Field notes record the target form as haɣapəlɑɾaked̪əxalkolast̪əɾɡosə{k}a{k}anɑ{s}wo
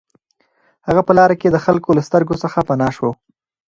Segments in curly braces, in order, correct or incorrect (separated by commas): incorrect, incorrect, incorrect